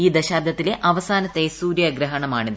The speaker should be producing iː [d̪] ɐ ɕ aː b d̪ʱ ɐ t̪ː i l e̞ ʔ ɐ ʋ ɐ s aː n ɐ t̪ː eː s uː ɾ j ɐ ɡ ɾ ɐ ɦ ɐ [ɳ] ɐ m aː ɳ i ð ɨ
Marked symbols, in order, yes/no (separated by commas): yes, yes